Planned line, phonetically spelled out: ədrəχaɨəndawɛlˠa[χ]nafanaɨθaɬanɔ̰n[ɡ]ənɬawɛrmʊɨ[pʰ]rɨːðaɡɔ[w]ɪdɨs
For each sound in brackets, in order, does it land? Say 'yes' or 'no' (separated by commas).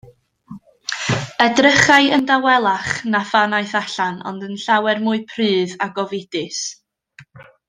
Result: yes, no, yes, no